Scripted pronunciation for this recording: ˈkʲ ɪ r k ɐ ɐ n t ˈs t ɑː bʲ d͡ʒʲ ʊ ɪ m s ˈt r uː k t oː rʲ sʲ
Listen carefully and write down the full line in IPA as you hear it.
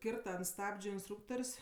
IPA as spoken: ˈkʲ ɪ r t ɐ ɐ n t ˈs t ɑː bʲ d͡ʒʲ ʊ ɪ n s ˈt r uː k t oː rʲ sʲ